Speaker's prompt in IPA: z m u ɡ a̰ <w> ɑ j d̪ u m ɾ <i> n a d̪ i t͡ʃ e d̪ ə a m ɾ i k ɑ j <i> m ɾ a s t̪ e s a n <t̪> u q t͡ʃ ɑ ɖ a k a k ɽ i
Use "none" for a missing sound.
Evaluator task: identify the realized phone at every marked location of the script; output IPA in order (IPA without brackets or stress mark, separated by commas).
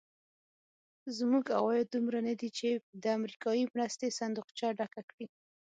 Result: w, a, i, d̪